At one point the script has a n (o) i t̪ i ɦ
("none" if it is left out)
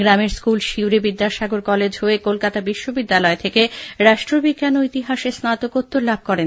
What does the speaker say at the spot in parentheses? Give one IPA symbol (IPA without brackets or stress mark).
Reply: o